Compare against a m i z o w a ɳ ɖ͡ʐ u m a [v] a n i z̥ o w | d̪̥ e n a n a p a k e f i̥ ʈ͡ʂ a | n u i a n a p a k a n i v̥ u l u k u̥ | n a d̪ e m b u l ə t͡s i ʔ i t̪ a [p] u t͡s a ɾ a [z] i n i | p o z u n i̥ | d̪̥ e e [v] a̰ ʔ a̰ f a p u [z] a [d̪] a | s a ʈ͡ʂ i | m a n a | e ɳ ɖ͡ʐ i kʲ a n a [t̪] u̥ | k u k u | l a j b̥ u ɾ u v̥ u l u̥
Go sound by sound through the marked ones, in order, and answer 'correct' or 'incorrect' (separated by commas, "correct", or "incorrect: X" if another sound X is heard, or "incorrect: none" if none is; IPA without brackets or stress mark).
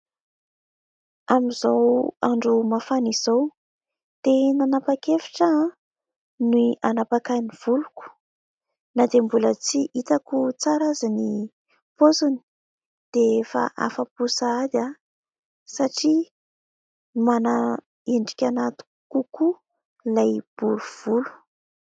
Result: incorrect: f, incorrect: k, correct, incorrect: f, incorrect: s, correct, correct